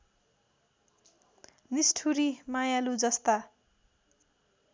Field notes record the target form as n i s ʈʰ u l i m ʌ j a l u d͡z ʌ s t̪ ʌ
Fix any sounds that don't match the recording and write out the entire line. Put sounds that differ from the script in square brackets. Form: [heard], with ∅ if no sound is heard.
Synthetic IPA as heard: n i s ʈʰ u [ɾ] i m [a] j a l u d͡z ʌ s t̪ [a]